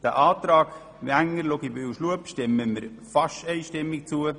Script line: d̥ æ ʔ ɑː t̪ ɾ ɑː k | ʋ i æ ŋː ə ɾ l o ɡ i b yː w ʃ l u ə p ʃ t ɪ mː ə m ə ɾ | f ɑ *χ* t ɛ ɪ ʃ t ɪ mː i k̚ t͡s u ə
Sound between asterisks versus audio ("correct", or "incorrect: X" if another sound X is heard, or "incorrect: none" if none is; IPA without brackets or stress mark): incorrect: ʃ